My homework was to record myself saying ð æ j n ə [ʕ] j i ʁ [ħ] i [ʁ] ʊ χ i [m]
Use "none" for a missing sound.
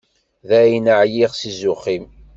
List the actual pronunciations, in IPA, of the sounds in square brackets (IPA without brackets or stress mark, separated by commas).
ʕ, s, z, m